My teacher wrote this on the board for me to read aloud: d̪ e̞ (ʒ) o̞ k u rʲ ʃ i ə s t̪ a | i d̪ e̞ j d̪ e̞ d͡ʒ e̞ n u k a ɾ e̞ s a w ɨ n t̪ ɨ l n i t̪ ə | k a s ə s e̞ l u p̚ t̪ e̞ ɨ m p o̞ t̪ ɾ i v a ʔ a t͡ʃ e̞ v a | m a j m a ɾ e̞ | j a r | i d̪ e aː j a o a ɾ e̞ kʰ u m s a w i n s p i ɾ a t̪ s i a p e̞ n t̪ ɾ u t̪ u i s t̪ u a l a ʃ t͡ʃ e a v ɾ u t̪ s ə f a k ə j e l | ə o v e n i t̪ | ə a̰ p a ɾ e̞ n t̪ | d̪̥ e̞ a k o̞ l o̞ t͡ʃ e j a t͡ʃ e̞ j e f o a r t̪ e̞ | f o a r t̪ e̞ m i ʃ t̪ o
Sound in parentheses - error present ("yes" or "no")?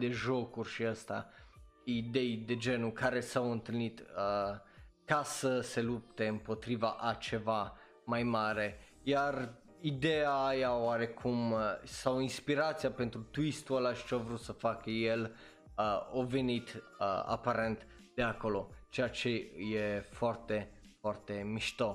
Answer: no